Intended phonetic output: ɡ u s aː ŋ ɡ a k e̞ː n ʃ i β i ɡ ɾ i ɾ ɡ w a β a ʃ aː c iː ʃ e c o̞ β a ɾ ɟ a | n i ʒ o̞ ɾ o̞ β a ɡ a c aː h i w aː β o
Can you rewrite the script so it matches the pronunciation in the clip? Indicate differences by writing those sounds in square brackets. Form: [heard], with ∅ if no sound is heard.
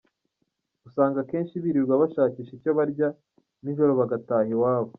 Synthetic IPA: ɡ u s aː ŋ ɡ a k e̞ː n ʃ i β i [∅] ɾ i ɾ ɡ w a β a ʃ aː c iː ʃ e c o̞ β a ɾ ɟ a | n i ʒ o̞ ɾ o̞ β a ɡ a [t] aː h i w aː β o